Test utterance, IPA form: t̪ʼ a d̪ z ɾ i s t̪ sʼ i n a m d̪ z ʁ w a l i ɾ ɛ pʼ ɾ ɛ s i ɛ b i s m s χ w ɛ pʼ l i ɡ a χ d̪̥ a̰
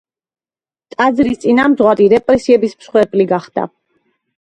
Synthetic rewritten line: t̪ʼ a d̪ z ɾ i s t̪ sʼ i n a m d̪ z ʁ w a ɾ i ɾ ɛ pʼ ɾ ɛ s i ɛ b i s m s χ w ɛ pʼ l i ɡ a χ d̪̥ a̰